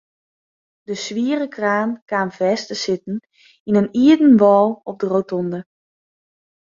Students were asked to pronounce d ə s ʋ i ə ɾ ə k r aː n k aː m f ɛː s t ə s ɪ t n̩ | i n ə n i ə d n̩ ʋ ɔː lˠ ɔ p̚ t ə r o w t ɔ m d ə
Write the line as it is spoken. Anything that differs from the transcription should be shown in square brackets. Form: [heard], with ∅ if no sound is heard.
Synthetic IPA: d ə s ʋ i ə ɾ ə k r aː n k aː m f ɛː s t ə s ɪ t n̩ | i n ə n i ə d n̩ ʋ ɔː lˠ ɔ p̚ [d] ə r o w t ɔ [n] d ə